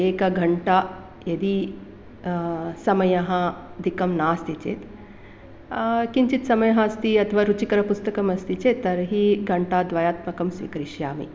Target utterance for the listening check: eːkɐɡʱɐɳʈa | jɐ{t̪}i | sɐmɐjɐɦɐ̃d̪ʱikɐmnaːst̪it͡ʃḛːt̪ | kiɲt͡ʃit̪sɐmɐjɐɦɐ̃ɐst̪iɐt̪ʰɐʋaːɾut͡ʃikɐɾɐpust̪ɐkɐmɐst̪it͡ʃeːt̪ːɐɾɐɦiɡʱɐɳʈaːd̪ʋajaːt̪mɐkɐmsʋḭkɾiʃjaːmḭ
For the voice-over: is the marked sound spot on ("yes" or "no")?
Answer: no